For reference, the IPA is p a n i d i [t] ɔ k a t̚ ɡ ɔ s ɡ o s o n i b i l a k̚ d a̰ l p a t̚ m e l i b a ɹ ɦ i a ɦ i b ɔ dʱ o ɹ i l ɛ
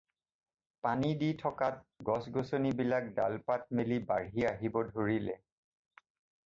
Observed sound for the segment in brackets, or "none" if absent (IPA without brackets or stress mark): tʰ